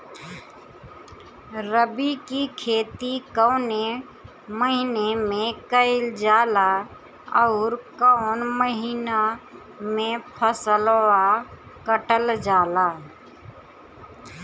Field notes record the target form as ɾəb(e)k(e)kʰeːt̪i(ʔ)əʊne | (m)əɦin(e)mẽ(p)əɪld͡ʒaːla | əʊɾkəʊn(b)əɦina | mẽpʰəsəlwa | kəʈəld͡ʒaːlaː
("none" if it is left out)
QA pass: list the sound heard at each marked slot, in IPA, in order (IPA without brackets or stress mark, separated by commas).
i, i, k, m, e, k, m